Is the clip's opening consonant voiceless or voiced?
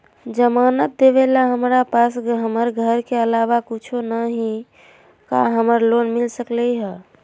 voiced